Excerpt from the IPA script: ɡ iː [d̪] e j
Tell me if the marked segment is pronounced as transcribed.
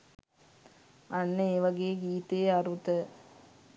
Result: no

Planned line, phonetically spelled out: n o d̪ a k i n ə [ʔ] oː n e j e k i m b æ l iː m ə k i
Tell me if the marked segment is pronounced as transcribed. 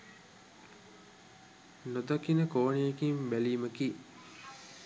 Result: no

